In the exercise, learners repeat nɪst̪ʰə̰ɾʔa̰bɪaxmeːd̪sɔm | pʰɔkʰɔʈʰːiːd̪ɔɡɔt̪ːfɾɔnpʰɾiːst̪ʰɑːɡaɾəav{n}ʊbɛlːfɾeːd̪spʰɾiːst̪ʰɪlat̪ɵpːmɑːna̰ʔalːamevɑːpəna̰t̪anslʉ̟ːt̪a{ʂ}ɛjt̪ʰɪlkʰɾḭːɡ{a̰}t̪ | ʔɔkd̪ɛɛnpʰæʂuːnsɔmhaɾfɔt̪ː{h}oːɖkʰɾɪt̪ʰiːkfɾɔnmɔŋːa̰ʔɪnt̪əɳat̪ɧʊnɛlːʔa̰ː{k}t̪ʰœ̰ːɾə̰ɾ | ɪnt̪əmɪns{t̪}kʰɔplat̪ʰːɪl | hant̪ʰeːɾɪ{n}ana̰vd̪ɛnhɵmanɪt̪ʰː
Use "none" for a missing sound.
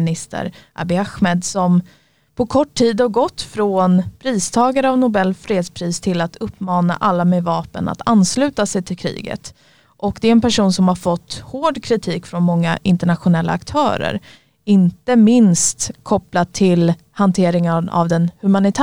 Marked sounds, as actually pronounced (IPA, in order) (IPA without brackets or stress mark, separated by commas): n, s, ə̰, h, k, t̪, ŋ